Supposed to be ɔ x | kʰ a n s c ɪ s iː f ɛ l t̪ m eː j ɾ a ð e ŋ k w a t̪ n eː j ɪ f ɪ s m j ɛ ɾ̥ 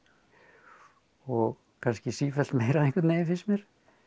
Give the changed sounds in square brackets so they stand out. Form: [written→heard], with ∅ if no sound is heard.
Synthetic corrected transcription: ɔ [x→ɣ] | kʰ a n s c ɪ s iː f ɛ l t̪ m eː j ɾ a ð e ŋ k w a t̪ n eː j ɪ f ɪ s m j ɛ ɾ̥